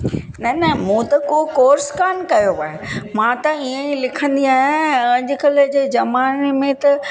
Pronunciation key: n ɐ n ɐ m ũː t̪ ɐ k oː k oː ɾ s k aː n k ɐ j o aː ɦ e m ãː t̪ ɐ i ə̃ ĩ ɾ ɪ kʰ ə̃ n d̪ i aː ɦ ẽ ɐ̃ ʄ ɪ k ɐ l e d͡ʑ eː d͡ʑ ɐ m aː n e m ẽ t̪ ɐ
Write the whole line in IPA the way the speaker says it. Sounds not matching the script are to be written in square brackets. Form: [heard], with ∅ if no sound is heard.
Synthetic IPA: n ɐ n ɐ m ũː t̪ ɐ k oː k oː ɾ s k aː n k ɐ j o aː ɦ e m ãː t̪ ɐ i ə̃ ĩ [l] ɪ kʰ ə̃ n d̪ i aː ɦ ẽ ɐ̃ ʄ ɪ k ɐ l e d͡ʑ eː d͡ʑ ɐ m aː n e m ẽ t̪ ɐ

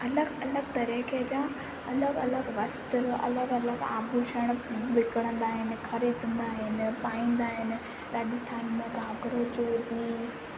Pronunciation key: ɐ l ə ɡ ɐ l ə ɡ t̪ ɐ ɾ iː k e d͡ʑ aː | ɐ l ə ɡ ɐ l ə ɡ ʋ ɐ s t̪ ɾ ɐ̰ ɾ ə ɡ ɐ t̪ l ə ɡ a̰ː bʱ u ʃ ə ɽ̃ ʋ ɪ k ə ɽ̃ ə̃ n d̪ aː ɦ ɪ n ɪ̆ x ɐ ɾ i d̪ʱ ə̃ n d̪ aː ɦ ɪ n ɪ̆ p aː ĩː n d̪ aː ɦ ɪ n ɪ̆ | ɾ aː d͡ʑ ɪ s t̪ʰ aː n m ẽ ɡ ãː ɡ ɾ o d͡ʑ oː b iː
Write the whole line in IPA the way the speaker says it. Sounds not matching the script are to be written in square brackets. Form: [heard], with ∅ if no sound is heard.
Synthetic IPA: ɐ l ə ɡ ɐ l ə ɡ t̪ ɐ ɾ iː k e d͡ʑ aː | ɐ l ə ɡ ɐ l ə ɡ ʋ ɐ s t̪ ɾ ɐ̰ [l] ə ɡ ɐ [∅] l ə ɡ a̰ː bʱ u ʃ ə ɽ̃ ʋ ɪ k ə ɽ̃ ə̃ n d̪ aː ɦ ɪ n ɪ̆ x ɐ ɾ i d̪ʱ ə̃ n d̪ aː ɦ ɪ n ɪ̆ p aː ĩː n d̪ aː ɦ ɪ n ɪ̆ | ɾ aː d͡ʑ ɪ s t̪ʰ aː n m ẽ ɡ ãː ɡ ɾ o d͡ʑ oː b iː

